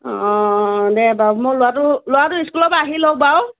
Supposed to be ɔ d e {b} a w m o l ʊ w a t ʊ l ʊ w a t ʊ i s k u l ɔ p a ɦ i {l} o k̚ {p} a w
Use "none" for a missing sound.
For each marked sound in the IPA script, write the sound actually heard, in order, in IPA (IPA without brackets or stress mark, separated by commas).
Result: b, l, b